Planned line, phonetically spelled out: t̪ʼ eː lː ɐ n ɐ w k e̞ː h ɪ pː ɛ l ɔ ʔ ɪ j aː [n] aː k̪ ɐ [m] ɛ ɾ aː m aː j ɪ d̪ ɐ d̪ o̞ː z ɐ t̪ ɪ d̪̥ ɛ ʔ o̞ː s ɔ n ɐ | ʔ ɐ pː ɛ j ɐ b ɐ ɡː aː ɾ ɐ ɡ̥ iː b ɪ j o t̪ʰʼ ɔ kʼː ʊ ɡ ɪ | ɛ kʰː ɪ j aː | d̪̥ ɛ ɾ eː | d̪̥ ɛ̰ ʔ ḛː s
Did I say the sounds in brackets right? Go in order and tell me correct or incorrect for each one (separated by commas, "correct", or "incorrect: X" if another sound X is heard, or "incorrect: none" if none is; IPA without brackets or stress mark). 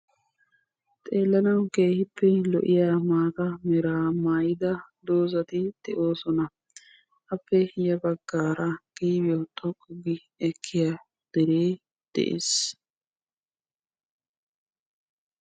incorrect: m, correct